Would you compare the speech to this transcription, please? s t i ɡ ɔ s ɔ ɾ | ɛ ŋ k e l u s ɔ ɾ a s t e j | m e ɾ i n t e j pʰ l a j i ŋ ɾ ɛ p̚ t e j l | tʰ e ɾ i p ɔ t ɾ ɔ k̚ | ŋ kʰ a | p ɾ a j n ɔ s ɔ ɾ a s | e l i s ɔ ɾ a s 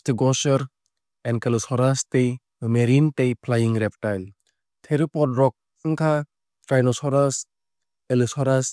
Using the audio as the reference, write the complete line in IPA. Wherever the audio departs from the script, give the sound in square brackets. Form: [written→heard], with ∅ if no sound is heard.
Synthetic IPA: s t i ɡ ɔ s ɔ ɾ | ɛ [ŋ→n] k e l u s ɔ ɾ a s t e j | m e ɾ i n t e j pʰ l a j i ŋ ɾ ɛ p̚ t [e→a] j l | tʰ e ɾ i p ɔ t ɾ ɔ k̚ | ŋ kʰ a | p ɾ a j n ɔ s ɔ ɾ a s | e l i s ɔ ɾ a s